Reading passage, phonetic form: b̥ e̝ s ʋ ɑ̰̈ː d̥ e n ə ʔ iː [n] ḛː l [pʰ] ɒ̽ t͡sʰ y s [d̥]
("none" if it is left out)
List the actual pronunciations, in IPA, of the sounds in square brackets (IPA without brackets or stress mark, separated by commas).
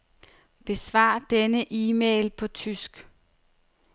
m, pʰ, ɡ̥